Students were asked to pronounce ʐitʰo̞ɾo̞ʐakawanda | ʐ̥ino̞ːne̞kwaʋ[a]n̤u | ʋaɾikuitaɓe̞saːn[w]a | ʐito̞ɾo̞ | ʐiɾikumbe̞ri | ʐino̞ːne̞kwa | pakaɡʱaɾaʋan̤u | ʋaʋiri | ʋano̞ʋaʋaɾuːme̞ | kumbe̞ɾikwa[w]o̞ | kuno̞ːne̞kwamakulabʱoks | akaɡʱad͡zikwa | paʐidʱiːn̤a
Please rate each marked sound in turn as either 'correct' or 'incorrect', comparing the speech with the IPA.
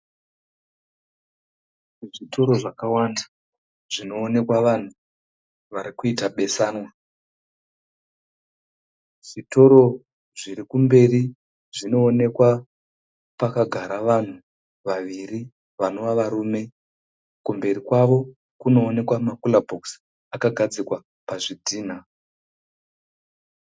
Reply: correct, correct, incorrect: ʋ

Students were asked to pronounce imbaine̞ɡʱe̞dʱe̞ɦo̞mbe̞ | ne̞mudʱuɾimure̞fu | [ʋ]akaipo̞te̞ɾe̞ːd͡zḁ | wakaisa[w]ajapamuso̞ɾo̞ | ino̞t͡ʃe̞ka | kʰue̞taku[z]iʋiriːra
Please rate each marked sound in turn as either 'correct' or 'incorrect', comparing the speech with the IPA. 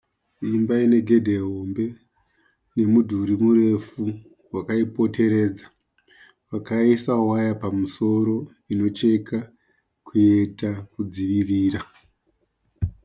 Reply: incorrect: w, correct, incorrect: d͡z

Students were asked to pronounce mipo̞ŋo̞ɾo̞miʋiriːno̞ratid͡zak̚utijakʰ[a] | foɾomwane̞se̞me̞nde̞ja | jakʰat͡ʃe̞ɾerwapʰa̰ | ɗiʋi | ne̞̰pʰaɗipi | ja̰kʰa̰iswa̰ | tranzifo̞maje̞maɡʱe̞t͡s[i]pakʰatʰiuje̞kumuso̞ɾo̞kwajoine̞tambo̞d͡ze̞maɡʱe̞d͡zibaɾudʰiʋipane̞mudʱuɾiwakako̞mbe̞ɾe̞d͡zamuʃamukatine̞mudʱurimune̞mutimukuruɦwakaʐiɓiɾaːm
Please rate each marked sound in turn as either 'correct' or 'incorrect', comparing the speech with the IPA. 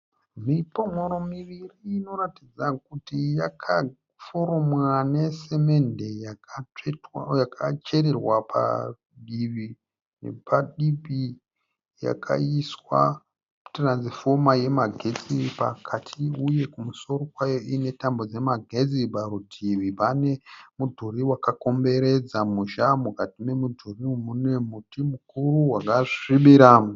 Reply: correct, correct

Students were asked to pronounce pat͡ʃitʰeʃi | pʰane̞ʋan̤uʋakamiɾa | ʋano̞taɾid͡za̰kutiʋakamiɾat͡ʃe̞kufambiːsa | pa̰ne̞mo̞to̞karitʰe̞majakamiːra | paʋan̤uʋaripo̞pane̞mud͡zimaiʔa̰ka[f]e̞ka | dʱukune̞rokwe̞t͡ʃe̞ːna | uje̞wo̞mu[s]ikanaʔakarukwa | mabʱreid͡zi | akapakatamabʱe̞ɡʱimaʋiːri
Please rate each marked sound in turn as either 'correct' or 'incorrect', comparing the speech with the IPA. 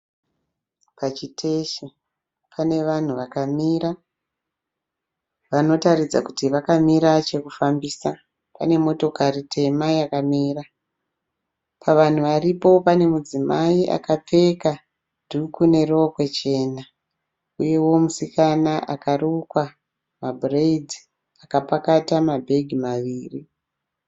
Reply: incorrect: p͡f, correct

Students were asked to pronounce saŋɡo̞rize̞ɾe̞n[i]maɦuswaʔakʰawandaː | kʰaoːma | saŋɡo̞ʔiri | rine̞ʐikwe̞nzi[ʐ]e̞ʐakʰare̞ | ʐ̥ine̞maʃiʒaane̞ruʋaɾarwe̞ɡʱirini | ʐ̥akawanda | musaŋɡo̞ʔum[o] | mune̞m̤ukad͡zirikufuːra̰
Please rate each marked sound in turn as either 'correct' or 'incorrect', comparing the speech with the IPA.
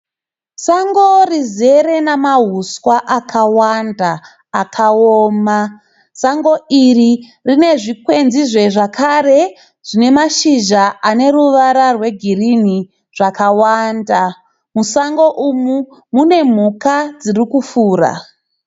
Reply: incorrect: a, correct, incorrect: u

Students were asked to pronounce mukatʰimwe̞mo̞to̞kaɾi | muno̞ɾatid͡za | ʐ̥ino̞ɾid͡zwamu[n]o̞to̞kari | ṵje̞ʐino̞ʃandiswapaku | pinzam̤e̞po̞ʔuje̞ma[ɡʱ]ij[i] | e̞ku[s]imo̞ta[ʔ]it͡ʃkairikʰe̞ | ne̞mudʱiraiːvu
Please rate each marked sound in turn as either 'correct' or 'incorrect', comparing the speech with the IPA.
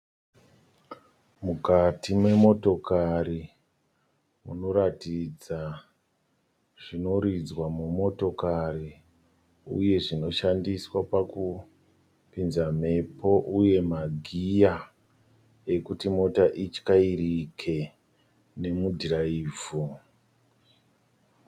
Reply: incorrect: m, correct, incorrect: a, incorrect: t, correct

